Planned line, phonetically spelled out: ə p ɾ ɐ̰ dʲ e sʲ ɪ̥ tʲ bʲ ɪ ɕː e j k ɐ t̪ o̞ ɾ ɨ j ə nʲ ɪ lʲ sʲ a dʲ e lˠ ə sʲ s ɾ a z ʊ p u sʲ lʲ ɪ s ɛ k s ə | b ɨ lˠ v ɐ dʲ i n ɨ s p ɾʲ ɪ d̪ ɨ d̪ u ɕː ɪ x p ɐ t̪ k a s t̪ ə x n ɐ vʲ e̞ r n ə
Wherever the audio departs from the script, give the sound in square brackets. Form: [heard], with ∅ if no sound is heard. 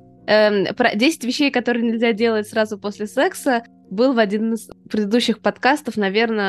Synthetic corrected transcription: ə p ɾ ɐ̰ dʲ e sʲ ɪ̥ tʲ [vʲ] ɪ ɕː e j k ɐ t̪ o̞ ɾ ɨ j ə nʲ ɪ lʲ [zʲ] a dʲ e lˠ ə [tʲ] s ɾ a z ʊ p [o] sʲ lʲ ɪ s ɛ k s ə | b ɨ lˠ v ɐ dʲ i n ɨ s p ɾʲ ɪ d̪ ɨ d̪ u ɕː ɪ x p ɐ t̪ k a s t̪ ə [f] n ɐ vʲ e̞ r n ə